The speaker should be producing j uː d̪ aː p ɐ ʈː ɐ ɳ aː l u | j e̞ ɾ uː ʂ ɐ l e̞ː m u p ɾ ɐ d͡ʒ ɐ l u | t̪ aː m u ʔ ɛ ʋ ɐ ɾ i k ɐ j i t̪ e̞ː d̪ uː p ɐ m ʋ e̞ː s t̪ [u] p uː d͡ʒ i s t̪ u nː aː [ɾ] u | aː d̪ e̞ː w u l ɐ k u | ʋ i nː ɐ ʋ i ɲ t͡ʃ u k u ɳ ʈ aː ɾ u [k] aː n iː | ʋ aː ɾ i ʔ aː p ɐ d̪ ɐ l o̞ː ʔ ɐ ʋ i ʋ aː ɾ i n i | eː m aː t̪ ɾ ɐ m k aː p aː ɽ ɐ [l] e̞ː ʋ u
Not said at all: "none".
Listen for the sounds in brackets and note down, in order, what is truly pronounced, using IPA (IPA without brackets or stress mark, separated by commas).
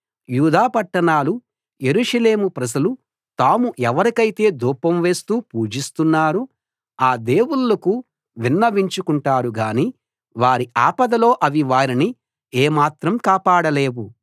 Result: uː, ɾ, ɡ, l